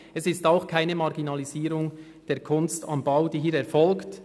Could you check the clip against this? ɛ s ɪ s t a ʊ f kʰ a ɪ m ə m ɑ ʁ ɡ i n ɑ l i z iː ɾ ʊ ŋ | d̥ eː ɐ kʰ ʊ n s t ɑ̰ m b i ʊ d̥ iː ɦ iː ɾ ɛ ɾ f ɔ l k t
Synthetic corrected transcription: ɛ s ɪ s t a ʊ x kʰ a ɪ n ə m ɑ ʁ ɡ i n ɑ l i z iː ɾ ʊ ŋ | d̥ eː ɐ kʰ ʊ n s t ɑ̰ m b a ʊ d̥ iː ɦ iː ɾ ɛ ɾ f ɔ l k t